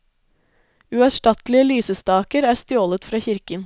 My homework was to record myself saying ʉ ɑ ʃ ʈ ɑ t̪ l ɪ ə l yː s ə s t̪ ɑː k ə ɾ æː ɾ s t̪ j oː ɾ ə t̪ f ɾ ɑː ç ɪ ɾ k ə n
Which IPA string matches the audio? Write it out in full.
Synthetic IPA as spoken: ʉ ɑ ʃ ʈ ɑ t̪ l ɪ ə l yː s ə s t̪ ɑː k ə ɾ æː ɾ s t̪ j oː l ə t̪ f ɾ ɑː ç ɪ ɾ k ə n